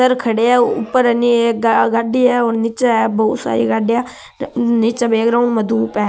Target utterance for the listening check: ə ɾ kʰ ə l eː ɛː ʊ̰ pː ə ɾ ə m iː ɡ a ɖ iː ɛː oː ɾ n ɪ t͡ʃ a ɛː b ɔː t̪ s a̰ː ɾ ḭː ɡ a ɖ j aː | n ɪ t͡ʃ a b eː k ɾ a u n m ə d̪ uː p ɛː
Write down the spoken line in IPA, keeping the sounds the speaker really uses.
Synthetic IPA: ə ɾ kʰ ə ɽ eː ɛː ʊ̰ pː ə ɾ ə n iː ɡ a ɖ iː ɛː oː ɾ n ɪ t͡ʃ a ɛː b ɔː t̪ s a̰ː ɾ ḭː ɡ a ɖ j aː | n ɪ t͡ʃ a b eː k ɾ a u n m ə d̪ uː p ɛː